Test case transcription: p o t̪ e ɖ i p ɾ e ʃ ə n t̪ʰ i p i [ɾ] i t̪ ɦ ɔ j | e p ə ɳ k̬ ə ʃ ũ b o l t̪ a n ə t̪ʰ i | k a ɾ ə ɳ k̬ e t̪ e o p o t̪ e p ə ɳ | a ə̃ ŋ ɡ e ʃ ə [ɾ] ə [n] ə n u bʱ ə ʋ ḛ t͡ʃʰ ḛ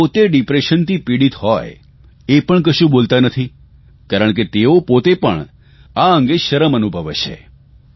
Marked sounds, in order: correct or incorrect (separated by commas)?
incorrect, correct, incorrect